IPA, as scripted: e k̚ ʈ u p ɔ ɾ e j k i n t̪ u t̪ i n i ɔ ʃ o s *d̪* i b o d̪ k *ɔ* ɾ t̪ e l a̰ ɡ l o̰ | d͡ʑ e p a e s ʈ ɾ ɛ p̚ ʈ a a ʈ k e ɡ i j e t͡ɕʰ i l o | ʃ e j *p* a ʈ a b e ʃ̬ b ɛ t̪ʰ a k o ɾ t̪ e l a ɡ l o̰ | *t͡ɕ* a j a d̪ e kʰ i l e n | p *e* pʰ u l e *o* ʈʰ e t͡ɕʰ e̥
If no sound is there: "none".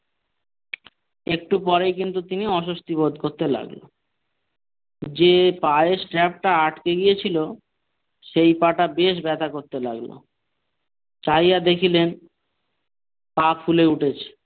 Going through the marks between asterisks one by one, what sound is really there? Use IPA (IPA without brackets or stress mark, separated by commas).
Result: t̪, o, p, t͡ɕ, a, u